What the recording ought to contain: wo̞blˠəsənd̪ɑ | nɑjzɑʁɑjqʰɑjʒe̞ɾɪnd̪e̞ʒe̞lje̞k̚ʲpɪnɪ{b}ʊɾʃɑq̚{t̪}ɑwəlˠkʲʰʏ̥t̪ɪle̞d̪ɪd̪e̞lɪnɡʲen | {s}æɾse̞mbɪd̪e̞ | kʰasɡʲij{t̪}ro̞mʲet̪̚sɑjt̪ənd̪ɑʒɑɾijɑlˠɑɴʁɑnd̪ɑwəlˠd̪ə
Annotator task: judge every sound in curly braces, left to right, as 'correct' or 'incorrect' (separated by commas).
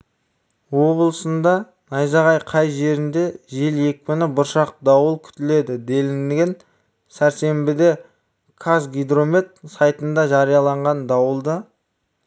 correct, incorrect, correct, incorrect